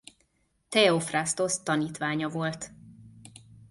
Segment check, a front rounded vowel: absent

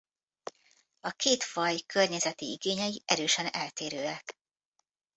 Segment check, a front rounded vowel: present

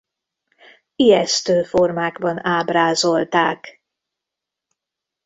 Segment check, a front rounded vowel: present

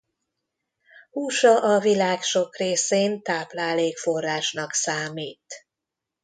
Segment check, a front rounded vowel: absent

